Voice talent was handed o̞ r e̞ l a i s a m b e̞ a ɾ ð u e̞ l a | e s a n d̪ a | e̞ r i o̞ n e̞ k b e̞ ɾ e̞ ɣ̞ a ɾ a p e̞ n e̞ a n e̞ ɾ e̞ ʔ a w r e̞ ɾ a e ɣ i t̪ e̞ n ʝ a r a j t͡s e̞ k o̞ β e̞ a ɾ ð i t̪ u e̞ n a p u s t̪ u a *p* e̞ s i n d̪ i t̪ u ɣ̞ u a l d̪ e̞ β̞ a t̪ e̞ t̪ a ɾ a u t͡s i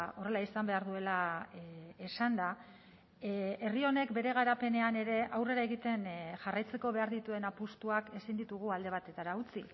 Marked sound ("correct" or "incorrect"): incorrect